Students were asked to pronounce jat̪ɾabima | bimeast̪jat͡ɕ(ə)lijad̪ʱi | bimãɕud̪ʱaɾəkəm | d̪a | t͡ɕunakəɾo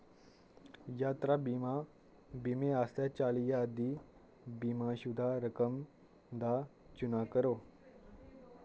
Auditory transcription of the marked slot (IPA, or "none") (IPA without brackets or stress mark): a